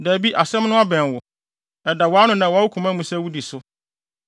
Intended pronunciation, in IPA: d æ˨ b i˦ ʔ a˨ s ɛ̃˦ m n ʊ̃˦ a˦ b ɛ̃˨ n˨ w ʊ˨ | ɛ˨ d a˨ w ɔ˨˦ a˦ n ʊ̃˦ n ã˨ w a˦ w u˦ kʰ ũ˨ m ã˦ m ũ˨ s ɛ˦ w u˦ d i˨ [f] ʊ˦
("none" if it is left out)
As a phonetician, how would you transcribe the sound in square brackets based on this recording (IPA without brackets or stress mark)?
s